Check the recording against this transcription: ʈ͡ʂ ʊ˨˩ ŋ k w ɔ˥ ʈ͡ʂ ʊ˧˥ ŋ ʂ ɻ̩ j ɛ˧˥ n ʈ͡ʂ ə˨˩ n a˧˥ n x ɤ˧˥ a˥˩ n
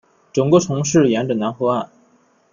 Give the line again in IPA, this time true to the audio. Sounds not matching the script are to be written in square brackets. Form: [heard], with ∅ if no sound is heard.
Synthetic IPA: ʈ͡ʂ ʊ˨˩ ŋ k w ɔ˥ [ʈ͡ʂʰ] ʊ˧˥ ŋ ʂ ɻ̩ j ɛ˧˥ n ʈ͡ʂ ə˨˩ n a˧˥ n x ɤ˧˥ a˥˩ n